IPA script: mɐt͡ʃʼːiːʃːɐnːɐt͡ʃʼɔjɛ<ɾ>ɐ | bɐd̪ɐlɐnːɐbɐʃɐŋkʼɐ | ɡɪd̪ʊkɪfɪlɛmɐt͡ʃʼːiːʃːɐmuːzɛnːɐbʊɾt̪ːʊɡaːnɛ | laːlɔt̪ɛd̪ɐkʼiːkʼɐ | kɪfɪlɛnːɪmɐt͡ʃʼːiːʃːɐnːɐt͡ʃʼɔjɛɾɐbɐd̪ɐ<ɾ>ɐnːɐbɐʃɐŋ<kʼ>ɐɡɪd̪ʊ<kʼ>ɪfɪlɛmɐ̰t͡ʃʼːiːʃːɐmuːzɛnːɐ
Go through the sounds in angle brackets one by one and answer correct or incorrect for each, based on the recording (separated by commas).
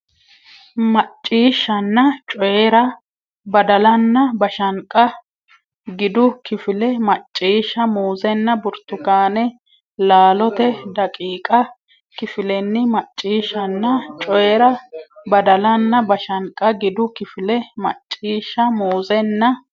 correct, incorrect, correct, incorrect